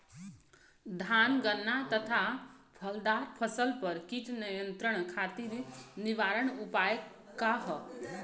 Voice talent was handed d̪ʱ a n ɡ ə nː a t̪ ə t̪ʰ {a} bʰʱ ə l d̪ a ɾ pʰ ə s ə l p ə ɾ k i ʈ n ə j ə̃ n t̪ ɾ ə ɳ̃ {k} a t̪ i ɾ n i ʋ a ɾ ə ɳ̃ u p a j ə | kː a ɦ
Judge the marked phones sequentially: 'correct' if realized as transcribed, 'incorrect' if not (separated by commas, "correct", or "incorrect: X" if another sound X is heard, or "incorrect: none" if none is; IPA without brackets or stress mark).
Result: correct, incorrect: kʰ